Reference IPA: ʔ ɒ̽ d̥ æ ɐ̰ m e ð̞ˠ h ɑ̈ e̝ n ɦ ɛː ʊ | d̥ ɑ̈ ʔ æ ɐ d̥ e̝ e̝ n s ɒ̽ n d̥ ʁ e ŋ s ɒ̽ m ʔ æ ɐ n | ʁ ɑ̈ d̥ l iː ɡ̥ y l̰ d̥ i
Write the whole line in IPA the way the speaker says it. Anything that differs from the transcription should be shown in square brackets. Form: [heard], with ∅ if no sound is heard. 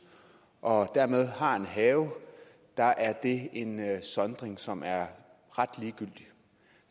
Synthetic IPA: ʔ ɒ̽ d̥ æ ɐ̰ m e ð̞ˠ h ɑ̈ e̝ n ɦ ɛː ʊ | d̥ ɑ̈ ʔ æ ɐ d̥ e̝ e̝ n s ɒ̽ n d̥ ʁ e ŋ s ɒ̽ m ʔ æ ɐ [∅] | ʁ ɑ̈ d̥ l iː ɡ̥ y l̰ d̥ i